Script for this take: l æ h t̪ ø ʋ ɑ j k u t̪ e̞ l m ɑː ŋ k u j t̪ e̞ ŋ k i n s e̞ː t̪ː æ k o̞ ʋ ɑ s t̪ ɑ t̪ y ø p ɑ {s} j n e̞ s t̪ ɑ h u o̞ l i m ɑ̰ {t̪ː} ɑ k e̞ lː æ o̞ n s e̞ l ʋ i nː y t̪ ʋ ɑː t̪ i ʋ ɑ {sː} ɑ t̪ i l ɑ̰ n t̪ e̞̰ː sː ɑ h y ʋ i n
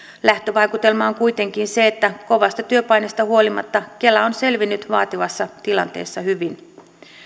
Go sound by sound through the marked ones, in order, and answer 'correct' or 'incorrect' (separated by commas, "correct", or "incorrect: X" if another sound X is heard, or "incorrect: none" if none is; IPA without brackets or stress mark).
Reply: incorrect: none, correct, correct